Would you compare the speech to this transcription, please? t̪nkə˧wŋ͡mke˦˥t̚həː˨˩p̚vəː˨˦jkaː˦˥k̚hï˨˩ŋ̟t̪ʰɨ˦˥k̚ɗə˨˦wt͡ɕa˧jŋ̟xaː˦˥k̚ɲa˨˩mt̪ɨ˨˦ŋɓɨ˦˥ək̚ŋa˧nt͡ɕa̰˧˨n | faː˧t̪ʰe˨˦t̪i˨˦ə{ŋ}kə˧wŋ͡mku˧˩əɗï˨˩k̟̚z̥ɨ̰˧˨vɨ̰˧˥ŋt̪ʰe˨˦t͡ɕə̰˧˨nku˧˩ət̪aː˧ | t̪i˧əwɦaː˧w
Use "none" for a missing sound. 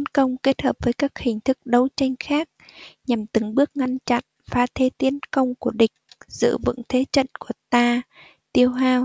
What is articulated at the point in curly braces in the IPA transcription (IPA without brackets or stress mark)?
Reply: n